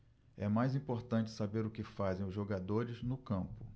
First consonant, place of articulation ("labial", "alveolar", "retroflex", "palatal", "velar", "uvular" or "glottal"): labial